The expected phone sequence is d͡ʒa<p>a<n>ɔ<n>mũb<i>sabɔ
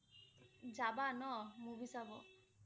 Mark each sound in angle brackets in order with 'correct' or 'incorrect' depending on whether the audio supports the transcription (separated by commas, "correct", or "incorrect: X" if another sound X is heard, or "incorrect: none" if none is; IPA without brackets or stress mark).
incorrect: b, correct, incorrect: none, correct